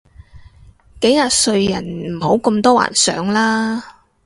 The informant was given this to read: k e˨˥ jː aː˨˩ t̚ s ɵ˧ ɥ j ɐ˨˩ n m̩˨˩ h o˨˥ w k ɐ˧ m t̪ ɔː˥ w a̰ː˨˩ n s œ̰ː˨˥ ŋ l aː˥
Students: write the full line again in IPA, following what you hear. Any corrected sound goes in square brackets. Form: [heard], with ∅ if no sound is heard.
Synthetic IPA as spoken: k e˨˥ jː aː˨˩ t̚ s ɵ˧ ɥ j ɐ˨˩ n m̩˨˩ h o˨˥ w k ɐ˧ m t̪ ɔː˥ w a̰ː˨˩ n s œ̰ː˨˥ ŋ l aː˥